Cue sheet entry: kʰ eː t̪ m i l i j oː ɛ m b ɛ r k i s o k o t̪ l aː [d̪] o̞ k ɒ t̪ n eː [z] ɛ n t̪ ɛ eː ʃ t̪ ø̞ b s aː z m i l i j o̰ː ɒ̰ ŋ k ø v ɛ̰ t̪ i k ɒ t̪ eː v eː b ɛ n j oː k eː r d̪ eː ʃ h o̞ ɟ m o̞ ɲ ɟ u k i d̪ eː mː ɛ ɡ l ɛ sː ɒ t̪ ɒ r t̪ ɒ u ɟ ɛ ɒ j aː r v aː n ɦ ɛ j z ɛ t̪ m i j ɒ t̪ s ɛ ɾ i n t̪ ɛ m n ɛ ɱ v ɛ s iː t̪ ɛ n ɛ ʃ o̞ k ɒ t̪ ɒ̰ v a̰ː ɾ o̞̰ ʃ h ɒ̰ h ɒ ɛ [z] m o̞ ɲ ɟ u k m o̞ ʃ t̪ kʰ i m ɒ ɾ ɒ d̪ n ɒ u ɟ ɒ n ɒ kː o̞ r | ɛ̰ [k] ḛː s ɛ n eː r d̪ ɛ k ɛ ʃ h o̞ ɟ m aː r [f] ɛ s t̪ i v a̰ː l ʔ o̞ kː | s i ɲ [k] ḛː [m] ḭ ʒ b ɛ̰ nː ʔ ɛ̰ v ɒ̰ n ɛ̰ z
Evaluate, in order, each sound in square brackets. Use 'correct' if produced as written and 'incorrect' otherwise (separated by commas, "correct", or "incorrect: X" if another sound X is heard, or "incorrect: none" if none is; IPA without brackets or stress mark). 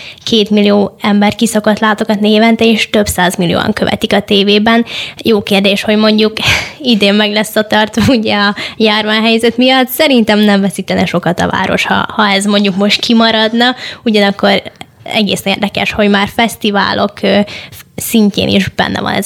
incorrect: t̪, incorrect: v, correct, incorrect: ɡ, correct, incorrect: c, incorrect: n